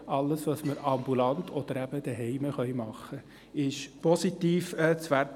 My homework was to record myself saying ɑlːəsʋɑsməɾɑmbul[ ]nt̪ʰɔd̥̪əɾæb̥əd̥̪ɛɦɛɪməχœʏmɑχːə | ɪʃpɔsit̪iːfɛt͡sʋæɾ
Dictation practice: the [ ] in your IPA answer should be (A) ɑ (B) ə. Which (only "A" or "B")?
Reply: A